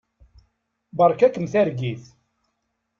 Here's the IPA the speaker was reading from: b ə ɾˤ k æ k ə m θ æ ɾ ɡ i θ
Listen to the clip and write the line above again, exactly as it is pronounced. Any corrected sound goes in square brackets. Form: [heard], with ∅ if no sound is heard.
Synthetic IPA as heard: b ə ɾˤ k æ k ə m θ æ ɾ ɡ i θ